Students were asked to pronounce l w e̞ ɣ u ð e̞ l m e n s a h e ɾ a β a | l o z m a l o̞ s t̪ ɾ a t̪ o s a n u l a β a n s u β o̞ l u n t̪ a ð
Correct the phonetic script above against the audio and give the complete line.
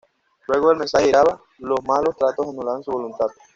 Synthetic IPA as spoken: l w e̞ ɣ o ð e̞ l m e n s a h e ɾ a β a | l o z m a l o̞ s t̪ ɾ a t̪ o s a n u l a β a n s u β o̞ l u n t̪ a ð